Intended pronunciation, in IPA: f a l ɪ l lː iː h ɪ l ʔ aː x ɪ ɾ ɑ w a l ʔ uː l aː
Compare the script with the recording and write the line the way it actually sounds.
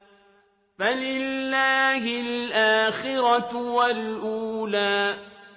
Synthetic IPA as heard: f a l ɪ l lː aː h ɪ l ʔ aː x ɪ ɾ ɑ w a l ʔ uː l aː